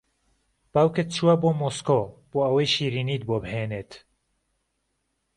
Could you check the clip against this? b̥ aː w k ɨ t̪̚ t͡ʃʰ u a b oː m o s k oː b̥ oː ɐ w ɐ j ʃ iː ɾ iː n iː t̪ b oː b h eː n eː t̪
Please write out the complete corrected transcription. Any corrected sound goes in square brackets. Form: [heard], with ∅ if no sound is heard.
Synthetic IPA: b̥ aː w k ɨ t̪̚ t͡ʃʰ u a b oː m o s k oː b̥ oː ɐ w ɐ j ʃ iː ɾ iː n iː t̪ b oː b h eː n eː t̪